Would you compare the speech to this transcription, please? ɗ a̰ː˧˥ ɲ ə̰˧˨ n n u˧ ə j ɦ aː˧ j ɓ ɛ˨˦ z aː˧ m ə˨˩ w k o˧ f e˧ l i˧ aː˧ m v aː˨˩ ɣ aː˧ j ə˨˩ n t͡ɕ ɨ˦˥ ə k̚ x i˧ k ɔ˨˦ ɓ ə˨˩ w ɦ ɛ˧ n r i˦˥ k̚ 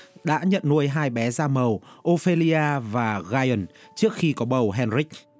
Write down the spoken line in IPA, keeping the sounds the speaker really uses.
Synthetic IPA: ɗ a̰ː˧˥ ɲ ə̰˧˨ n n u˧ ə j ɦ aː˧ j ɓ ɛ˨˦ z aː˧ m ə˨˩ w ʔ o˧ f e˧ l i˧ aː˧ v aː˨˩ ɣ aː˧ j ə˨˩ n t͡ɕ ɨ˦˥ ə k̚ x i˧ k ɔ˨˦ ɓ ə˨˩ w ɦ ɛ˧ n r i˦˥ k̚